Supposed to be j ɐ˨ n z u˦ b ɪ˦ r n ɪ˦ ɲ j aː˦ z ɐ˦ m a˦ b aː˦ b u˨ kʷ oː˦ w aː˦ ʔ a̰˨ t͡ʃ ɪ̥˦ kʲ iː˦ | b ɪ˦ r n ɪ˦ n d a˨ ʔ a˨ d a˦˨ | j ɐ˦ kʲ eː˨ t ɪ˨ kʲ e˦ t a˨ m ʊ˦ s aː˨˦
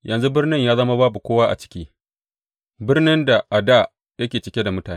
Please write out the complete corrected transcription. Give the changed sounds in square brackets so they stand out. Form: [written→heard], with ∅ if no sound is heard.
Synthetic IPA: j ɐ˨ n z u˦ b ɪ˦ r n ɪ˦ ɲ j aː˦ z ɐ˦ m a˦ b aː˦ b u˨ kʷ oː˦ w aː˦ ʔ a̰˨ t͡ʃ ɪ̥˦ kʲ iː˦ | b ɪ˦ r n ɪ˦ n d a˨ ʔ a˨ d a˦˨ | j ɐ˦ kʲ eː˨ [t→t͡ʃ] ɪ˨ kʲ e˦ [t→d] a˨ m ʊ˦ [s→t] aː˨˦

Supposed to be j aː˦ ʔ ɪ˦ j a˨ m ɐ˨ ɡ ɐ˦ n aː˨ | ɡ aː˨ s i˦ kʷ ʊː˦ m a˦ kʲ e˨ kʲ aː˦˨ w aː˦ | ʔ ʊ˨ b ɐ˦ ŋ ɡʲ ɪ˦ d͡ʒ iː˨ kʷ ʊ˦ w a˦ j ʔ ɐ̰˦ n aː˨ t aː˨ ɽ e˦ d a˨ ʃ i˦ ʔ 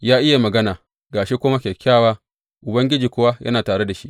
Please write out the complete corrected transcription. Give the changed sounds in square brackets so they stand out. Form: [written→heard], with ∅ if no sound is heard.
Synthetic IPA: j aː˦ ʔ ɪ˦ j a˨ m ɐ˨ ɡ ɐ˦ n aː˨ | ɡ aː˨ [s→ʃ] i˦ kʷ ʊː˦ m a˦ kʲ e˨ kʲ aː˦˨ w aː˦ | ʔ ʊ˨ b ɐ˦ ŋ ɡʲ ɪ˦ d͡ʒ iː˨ kʷ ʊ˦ w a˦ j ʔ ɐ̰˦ n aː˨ t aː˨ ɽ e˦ d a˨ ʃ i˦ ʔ

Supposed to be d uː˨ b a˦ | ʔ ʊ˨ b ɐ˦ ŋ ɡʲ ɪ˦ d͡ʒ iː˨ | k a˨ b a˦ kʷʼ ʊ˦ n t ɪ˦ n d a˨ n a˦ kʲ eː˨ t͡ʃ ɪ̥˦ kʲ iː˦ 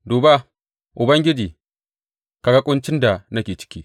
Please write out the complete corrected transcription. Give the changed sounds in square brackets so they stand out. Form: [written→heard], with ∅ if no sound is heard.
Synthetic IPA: d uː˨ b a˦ | ʔ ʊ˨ b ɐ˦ ŋ ɡʲ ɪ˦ d͡ʒ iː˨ | k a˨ [b→ɡ] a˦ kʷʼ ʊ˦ n [t→t͡ʃ] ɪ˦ n d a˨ n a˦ kʲ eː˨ t͡ʃ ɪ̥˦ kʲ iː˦

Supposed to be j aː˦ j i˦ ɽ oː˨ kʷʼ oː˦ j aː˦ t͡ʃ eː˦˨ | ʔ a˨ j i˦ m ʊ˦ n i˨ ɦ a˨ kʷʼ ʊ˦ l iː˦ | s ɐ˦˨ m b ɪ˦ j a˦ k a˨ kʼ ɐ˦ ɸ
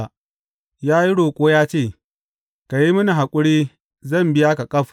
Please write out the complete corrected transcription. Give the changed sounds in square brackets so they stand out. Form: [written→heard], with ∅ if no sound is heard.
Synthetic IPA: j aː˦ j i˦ ɽ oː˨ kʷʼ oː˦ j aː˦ t͡ʃ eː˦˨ | [ʔ→k] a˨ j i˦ m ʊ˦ n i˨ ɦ a˨ kʷʼ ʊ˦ [l→ɽ] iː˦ | [s→z] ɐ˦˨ m b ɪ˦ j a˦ k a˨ kʼ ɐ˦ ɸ

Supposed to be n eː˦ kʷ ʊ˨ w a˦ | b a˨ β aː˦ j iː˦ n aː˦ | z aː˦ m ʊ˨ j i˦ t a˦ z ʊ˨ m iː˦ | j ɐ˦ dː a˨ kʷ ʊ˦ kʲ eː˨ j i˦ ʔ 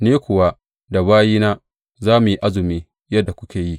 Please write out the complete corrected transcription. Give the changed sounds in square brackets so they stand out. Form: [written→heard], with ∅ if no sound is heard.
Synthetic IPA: n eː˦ kʷ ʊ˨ w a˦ | [b→d] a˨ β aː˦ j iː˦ n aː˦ | z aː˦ m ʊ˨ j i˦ [t→ʔ] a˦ z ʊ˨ m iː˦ | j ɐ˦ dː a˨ kʷ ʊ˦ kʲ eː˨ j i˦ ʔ

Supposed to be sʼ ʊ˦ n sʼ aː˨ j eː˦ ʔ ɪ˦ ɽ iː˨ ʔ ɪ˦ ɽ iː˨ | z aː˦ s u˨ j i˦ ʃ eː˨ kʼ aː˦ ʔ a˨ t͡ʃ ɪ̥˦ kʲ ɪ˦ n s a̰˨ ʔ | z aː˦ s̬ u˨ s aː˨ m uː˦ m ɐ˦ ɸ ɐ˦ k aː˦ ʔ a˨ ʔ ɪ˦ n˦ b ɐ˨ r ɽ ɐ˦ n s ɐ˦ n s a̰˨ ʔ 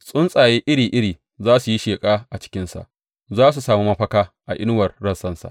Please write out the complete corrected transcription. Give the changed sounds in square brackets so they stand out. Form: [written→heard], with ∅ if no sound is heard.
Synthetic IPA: sʼ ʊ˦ n sʼ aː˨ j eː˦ ʔ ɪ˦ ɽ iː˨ ʔ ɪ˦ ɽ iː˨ | z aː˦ s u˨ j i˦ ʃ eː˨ kʼ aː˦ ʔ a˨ t͡ʃ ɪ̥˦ kʲ ɪ˦ n s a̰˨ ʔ | z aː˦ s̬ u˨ s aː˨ m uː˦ m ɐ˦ ɸ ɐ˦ k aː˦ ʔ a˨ ʔ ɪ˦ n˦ [b→w] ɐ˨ r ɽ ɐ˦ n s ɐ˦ n s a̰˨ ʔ

